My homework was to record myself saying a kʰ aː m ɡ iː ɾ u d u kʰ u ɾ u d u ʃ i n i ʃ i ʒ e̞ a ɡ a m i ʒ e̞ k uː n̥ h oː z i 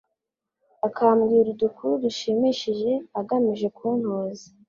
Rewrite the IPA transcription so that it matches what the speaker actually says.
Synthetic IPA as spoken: a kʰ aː m ɡ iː ɾ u d u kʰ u ɾ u d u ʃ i m i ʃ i ʒ e̞ a ɡ a m i ʒ e̞ k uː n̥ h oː z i